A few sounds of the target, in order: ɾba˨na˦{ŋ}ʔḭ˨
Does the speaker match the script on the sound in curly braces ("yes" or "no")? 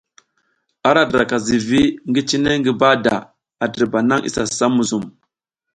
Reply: yes